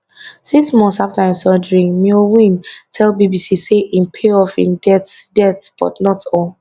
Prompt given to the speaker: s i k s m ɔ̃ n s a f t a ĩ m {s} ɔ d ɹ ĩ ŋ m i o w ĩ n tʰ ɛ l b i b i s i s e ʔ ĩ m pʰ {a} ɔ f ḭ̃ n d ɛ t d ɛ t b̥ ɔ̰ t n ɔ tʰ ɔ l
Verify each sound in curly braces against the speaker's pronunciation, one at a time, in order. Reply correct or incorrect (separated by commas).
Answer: correct, incorrect